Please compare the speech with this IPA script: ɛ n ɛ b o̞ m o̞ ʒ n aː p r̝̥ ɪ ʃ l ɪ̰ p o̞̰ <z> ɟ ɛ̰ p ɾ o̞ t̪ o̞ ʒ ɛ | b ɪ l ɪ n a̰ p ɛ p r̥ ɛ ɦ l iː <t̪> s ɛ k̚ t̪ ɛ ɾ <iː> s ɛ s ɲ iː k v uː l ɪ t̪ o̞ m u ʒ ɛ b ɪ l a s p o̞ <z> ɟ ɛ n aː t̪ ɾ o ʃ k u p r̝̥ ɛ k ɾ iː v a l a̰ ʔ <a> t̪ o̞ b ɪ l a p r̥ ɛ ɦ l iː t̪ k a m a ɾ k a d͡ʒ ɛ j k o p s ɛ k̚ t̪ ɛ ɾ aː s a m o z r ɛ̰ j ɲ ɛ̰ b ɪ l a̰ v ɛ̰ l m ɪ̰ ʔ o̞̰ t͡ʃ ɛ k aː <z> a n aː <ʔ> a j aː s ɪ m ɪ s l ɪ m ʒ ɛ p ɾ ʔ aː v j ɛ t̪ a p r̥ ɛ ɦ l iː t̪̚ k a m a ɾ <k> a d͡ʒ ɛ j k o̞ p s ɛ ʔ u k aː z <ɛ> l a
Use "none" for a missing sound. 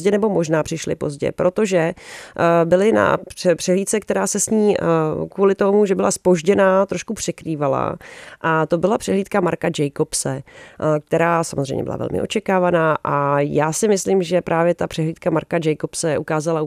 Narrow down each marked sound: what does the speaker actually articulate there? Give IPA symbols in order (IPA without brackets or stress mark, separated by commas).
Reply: z, t̪, aː, ʒ, a, v, ʔ, k, a